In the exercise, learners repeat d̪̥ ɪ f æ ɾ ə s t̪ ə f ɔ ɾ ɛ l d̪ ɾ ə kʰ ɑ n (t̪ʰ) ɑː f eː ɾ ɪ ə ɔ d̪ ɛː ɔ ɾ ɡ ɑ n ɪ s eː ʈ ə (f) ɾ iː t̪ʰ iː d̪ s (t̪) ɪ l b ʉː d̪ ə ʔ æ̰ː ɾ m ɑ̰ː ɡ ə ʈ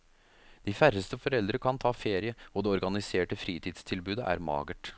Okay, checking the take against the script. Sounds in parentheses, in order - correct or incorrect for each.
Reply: correct, correct, incorrect: t̪ʰ

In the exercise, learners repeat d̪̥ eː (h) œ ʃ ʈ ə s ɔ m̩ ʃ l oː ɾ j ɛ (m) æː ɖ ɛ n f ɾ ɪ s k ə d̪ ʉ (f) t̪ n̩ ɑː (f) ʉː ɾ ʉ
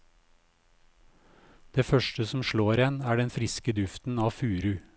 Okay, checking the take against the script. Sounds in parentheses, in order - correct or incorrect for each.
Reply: incorrect: f, incorrect: n, correct, correct

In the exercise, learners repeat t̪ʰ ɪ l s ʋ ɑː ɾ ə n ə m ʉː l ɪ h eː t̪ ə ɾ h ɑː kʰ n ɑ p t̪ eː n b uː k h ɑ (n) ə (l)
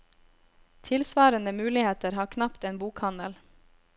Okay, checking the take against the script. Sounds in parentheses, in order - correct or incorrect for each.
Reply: correct, correct

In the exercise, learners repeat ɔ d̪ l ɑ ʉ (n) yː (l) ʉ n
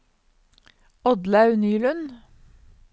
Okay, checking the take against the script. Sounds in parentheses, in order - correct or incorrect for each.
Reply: correct, correct

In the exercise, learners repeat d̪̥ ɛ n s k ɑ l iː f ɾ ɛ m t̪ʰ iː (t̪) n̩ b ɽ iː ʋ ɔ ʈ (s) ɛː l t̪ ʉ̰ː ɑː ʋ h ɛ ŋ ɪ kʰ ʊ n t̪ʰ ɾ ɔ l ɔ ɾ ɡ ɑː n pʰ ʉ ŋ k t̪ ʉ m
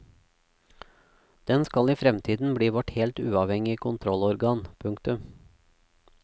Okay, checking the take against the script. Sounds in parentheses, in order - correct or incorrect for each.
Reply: incorrect: d̪, incorrect: h

